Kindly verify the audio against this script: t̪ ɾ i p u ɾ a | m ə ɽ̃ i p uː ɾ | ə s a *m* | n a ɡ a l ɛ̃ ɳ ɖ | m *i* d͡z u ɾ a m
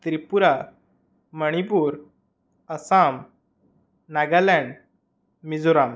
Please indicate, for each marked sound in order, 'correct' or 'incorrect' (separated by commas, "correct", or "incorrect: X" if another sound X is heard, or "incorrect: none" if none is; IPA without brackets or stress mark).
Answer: correct, correct